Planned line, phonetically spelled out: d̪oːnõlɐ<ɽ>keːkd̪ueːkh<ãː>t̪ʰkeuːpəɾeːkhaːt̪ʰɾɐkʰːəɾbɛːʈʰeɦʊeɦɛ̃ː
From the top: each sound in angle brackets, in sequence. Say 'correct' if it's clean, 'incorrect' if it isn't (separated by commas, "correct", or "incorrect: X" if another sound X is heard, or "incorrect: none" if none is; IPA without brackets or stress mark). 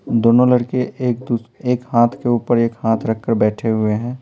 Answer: correct, incorrect: aː